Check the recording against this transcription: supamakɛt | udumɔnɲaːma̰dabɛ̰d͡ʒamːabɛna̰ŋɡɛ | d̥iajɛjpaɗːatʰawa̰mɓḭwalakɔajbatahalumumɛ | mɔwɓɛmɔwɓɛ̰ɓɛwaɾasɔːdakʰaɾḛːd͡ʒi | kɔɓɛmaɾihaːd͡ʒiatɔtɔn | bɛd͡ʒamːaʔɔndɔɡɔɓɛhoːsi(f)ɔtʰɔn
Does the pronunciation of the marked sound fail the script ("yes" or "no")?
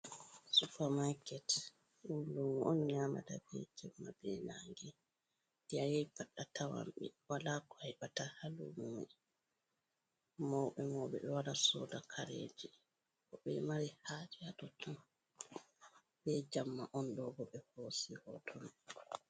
yes